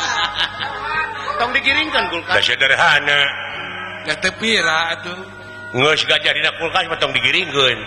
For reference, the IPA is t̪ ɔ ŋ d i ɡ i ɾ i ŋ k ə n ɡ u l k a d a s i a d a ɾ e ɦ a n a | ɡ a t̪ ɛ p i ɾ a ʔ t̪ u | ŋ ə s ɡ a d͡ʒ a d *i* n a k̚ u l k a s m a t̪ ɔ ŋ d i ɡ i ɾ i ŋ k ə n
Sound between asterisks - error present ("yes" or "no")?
no